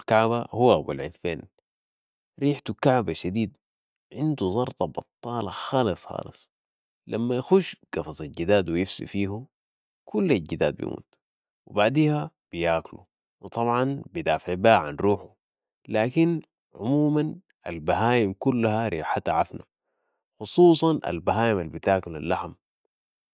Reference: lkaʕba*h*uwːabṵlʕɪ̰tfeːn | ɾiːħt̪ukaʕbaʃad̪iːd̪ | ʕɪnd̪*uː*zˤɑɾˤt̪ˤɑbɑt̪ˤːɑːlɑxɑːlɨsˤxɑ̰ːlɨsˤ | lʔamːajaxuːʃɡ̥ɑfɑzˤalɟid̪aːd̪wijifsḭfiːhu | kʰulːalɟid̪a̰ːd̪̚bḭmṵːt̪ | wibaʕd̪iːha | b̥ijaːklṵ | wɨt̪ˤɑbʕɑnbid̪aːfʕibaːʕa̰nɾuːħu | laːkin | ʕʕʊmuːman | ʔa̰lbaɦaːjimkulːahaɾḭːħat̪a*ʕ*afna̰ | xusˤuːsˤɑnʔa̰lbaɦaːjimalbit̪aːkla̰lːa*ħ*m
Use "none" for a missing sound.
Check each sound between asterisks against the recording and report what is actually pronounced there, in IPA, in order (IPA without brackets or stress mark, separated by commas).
h, u, ʕ, ħ